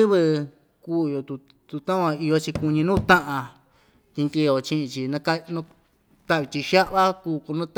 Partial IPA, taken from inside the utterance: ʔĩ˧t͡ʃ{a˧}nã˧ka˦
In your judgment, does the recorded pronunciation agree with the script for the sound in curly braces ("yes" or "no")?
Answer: no